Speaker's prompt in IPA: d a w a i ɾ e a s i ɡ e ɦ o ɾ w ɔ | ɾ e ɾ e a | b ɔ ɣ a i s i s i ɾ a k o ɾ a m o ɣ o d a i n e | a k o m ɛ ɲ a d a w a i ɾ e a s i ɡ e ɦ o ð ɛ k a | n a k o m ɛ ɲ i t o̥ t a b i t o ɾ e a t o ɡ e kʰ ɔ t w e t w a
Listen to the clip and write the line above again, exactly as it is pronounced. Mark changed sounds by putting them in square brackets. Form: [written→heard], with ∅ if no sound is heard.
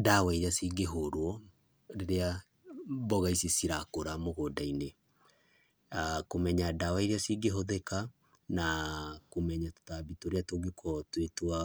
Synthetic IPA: d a w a i ɾ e a s i ɡ e ɦ o ɾ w ɔ | ɾ e ɾ e a | b ɔ ɣ a i s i s i ɾ a k o ɾ a m o ɣ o d a i n e | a k o m ɛ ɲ a d a w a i ɾ e a s i ɡ e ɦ o ð ɛ k a | n a k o m ɛ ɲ [i→a] t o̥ t a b i t o ɾ e a t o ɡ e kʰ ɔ t w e t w a